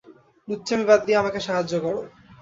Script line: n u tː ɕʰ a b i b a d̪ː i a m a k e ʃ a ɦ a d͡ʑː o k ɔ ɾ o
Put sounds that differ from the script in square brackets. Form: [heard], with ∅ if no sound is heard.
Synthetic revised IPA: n u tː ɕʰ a [m] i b a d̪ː i a m a k e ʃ a ɦ a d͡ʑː o k ɔ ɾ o